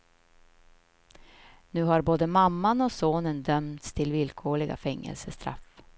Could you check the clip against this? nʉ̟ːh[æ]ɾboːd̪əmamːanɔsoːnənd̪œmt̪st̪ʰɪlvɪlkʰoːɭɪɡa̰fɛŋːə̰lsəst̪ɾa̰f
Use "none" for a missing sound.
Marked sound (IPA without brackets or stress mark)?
a